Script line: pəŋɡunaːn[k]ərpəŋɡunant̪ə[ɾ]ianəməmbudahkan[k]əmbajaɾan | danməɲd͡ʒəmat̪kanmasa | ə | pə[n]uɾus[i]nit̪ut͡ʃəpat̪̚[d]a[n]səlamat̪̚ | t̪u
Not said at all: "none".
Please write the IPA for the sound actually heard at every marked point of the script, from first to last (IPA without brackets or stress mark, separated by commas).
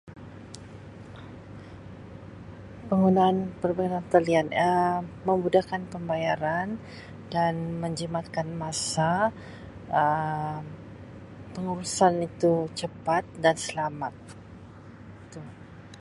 p, l, p, ŋ, a, d, n